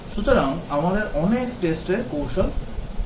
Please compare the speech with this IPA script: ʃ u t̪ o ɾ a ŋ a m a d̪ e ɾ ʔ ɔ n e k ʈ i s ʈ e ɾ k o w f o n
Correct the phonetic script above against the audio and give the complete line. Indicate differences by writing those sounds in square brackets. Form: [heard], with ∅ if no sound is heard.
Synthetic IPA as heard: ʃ u t̪ o ɾ a ŋ a m a d̪ e ɾ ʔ ɔ n e k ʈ [e] s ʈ e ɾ k o w [ʃ] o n